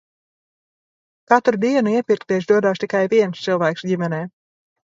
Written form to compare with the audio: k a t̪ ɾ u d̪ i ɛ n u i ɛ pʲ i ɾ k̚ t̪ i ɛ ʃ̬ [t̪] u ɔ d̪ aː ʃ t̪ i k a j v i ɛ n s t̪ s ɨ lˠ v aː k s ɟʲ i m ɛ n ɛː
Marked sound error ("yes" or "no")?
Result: yes